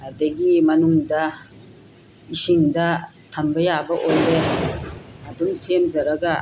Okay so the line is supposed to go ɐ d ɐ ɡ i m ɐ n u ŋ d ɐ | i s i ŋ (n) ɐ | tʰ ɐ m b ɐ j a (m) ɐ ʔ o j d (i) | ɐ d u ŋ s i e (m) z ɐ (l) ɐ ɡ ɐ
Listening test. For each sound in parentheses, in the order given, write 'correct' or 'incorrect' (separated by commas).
incorrect, incorrect, incorrect, correct, incorrect